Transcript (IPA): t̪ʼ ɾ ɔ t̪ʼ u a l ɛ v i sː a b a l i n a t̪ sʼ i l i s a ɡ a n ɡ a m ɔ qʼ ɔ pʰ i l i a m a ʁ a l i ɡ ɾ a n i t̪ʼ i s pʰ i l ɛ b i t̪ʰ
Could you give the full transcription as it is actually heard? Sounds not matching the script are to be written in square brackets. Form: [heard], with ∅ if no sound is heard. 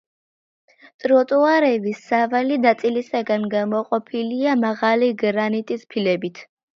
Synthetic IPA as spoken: t̪ʼ ɾ ɔ t̪ʼ u a [ɾ] ɛ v i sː a [v] a l i n a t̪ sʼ i l i s a ɡ a n ɡ a m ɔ qʼ ɔ pʰ i l i a m a ʁ a l i ɡ ɾ a n i t̪ʼ i s pʰ i l ɛ b i t̪ʰ